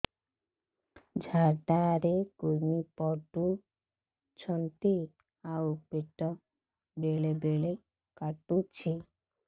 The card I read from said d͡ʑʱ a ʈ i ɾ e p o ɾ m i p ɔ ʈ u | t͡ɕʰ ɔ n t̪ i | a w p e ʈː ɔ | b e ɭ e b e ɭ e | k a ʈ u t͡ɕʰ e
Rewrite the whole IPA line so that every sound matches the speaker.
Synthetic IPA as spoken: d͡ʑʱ a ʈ a ɾ e k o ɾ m i p ɔ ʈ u | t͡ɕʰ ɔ n t̪ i | a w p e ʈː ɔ | b e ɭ e b e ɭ e | k a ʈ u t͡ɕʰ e

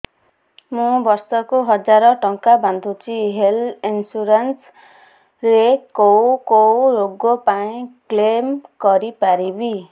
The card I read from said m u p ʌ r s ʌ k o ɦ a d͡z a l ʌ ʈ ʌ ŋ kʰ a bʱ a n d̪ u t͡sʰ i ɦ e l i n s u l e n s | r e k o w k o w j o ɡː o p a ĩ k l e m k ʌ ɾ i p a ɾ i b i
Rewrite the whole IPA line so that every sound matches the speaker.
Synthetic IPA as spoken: m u b ʌ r s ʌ k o ɦ ʌ d͡z a ɾ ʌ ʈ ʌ ŋ k a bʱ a n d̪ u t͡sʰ i ɦ e l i n s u ɾ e n s | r e k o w k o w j o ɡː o p a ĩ k l e m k ʌ ɾ i p a ɾ i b i

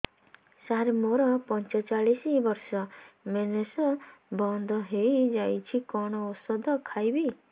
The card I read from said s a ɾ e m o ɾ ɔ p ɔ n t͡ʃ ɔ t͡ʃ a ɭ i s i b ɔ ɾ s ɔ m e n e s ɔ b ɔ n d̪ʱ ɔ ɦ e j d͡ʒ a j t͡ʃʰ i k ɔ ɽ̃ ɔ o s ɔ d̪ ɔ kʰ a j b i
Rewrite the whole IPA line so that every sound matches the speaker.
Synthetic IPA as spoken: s a ɾ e m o ɾ ɔ p ɔ n t͡ʃ ɔ t͡ʃ a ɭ i s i b ɔ ɾ s ɔ m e n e s ɔ b ɔ n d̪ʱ ɔ ɦ e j d͡ʒ a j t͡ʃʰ i k ɔ ɽ̃ ɔ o s ɔ d̪ ɔ kʰ a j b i

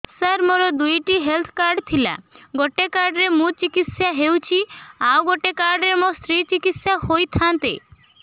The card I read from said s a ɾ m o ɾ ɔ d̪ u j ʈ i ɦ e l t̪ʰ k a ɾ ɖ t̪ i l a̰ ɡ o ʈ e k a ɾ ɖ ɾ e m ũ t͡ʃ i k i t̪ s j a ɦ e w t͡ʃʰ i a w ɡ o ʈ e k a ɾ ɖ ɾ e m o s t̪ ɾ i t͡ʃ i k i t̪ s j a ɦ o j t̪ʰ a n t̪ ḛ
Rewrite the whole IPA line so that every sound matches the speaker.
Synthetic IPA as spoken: s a ɾ m o ɾ ɔ d̪ u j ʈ i ɦ e l t̪ʰ k a ɾ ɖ t̪ʰ i l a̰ ɡ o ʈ e k a ɾ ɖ ɾ e m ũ t͡ʃ i k i t̪ s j a ɦ e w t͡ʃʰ i a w ɡ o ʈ e k a ɾ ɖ ɾ e m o s t̪ ɾ i t͡ʃ i k i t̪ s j a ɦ o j t̪ʰ a n t̪ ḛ

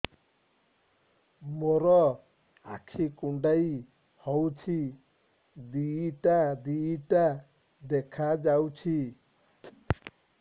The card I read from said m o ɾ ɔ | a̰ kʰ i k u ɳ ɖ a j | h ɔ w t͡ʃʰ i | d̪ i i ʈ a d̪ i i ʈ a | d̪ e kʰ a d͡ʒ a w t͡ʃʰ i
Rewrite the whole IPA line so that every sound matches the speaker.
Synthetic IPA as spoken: m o ɾ ɔ | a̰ kʰ i k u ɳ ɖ a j | h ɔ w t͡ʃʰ i | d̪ i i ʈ a d̪ i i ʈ a | d̪ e kʰ a d͡ʒ a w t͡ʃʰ i

